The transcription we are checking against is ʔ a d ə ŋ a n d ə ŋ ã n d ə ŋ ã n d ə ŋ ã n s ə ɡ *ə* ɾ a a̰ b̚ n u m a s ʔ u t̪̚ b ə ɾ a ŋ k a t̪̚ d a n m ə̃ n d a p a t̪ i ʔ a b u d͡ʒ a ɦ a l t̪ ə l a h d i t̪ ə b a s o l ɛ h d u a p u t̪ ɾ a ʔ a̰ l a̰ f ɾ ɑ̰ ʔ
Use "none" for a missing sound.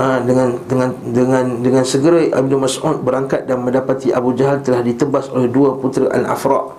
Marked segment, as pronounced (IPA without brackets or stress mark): ə